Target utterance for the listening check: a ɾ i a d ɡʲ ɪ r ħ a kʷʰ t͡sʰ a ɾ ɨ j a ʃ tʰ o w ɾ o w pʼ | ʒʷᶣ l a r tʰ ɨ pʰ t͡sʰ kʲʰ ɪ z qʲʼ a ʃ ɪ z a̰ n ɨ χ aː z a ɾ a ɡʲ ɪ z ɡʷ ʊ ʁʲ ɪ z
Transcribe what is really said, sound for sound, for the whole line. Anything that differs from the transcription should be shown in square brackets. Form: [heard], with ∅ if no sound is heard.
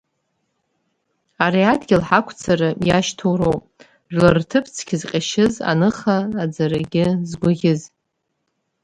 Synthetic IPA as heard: a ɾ i a d ɡʲ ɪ [l] ħ a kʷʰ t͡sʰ a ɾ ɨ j a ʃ tʰ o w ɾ o w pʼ | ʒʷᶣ l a r tʰ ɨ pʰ t͡sʰ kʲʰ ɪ z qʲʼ a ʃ ɪ z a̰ n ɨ χ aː [d͡z] a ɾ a ɡʲ ɪ z ɡʷ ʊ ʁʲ ɪ z